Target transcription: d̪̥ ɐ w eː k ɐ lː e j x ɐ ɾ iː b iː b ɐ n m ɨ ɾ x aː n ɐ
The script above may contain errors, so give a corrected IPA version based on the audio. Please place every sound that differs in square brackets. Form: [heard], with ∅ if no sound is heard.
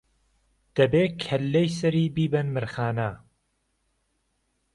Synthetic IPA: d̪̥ ɐ [b] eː [kʰ] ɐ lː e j [s] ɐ ɾ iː b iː b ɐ n m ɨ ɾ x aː n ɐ